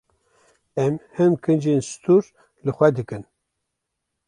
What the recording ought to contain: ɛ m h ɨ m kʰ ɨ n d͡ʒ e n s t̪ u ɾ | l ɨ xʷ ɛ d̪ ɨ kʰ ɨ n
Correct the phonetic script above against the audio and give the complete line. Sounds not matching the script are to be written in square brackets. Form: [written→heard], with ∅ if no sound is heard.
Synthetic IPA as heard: ɛ m h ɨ m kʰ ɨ n d͡ʒ e n s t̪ u ɾ | l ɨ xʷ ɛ d̪ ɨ [kʰ→k] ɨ n